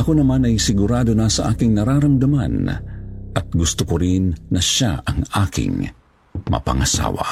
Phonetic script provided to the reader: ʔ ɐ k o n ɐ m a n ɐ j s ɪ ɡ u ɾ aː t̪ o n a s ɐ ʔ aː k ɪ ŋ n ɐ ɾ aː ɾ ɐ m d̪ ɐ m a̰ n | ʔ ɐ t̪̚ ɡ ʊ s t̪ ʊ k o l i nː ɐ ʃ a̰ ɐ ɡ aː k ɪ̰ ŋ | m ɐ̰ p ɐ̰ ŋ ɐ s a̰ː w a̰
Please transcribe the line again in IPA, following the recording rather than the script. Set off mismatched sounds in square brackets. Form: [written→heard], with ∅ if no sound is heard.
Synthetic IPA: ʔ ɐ k o n ɐ m a n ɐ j s ɪ ɡ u ɾ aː [t̪→d̪] o n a s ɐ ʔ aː k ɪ ŋ n ɐ ɾ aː ɾ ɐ m d̪ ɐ m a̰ n | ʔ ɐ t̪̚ ɡ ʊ s t̪ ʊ k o [l→ɾ] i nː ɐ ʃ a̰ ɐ [ɡ→ŋ] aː k ɪ̰ ŋ | m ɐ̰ p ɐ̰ ŋ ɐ s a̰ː w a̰